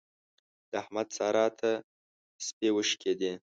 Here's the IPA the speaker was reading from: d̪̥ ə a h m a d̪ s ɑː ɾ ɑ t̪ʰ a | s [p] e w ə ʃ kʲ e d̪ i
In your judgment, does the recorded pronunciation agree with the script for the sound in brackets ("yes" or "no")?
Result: yes